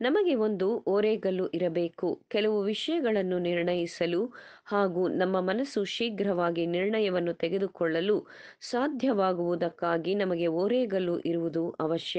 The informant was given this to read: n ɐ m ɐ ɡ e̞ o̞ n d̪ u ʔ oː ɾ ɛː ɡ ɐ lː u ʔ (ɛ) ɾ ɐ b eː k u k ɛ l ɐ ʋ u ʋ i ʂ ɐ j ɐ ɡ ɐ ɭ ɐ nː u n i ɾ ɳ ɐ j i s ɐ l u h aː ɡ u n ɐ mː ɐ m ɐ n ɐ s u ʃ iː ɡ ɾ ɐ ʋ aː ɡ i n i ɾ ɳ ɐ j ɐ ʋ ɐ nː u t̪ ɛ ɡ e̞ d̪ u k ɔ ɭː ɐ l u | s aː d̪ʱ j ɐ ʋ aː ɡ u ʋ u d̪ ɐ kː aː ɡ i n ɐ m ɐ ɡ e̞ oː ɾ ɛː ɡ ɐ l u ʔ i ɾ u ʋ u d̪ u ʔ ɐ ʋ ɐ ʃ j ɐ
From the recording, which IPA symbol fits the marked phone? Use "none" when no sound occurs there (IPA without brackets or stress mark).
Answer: i